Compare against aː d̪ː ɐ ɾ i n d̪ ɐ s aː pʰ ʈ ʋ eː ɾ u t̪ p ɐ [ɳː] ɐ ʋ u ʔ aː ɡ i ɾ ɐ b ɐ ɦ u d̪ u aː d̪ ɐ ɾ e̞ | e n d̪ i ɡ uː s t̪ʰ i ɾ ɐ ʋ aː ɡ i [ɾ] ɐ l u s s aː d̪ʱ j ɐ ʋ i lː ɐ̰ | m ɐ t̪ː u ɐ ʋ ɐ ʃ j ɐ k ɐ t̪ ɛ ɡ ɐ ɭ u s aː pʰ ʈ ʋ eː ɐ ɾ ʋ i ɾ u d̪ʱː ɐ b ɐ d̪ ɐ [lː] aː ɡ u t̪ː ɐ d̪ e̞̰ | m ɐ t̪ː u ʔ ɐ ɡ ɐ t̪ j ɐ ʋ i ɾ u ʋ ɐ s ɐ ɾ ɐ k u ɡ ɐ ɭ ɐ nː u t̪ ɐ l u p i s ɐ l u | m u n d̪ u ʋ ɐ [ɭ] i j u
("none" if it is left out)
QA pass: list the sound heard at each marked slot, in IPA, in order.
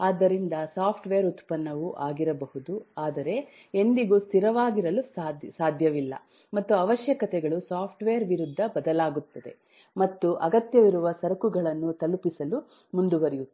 nː, ɾ, l, ɾ

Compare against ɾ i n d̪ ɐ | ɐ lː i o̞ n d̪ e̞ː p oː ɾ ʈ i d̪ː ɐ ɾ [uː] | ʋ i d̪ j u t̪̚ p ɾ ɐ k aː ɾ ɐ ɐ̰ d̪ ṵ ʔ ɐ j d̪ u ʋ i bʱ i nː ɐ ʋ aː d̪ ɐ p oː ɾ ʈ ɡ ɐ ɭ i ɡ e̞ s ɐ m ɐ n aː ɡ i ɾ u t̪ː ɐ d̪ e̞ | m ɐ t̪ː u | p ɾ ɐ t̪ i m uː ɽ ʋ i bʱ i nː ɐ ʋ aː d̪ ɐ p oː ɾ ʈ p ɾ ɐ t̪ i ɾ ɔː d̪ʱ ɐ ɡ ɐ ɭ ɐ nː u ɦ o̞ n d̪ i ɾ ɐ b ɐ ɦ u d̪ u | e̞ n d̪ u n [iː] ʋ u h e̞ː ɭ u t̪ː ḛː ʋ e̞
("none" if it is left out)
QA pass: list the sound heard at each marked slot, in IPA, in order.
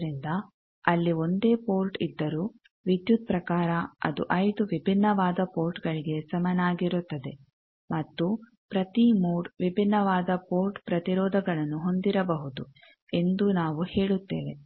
uː, aː

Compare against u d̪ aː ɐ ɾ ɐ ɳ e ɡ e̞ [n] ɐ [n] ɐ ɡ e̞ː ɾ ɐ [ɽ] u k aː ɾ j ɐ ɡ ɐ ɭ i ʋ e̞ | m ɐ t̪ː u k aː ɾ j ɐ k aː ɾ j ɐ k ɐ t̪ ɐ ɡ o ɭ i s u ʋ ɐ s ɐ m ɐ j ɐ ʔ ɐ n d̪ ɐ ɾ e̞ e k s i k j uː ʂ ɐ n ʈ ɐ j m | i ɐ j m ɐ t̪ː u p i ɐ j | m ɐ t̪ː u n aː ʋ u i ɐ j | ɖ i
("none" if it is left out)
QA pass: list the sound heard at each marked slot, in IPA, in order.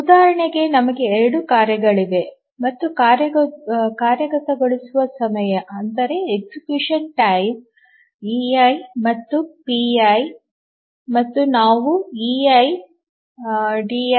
n, m, ɽ

